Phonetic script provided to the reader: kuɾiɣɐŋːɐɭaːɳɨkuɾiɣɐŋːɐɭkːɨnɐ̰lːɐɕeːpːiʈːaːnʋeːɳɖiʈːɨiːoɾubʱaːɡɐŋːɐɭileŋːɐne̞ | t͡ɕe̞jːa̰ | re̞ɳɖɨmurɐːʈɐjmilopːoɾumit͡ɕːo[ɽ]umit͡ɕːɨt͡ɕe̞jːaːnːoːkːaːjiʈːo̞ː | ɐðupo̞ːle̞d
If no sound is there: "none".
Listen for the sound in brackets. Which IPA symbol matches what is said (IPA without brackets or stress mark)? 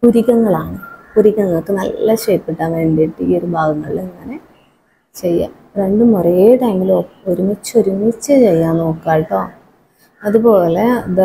ɾ